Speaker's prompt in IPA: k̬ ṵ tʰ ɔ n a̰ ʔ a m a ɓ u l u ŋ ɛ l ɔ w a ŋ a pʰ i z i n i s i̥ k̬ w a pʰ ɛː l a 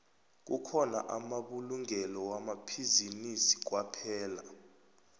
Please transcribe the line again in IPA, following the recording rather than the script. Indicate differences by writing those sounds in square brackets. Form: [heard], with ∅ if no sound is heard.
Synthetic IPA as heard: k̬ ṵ [kʰ] ɔ n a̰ ʔ a m a ɓ u l u ŋ ɛ l ɔ w a [m] a pʰ i z i n i s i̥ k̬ w a pʰ ɛː l a